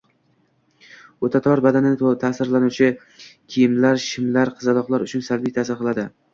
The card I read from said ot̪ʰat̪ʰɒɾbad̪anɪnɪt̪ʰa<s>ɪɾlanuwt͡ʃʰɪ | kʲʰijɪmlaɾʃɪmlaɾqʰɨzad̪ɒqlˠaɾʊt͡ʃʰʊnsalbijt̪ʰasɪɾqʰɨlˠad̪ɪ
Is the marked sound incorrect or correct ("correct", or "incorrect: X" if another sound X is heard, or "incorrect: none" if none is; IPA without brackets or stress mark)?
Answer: correct